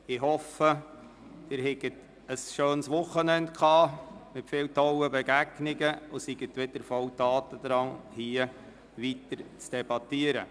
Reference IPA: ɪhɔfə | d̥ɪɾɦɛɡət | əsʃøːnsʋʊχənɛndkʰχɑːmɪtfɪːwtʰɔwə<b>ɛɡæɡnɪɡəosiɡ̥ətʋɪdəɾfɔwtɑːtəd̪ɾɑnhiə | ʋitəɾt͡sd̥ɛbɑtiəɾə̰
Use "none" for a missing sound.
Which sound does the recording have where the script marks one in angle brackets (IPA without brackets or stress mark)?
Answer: b